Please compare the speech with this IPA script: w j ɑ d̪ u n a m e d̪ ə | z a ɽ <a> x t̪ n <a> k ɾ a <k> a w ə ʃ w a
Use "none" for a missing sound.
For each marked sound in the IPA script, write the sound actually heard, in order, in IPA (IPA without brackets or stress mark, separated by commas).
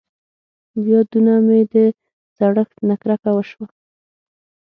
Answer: ə, a, k